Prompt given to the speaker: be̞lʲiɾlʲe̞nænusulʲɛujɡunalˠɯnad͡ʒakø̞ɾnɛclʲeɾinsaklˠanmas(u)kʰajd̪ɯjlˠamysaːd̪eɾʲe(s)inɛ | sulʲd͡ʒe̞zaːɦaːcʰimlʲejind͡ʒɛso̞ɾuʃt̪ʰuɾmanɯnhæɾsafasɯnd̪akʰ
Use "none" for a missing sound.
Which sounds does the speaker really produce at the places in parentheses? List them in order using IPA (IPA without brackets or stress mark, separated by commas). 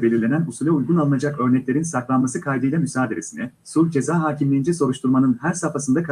ɯ, s